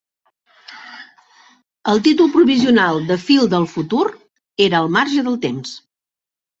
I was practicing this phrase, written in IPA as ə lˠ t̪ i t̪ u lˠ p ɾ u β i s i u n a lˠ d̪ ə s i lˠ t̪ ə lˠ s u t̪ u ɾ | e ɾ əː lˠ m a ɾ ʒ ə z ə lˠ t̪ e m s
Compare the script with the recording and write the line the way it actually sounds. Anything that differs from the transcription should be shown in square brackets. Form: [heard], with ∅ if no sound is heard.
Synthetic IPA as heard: ə lˠ t̪ i t̪ u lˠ p ɾ u β i [z] i u n a lˠ d̪ ə [f] i lˠ [d̪] ə lˠ [f] u t̪ u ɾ | e ɾ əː lˠ m a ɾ ʒ ə [ð] ə lˠ t̪ e m s